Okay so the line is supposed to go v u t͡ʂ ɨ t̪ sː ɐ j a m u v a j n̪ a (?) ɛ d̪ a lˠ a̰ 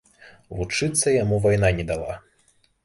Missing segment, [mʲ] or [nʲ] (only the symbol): nʲ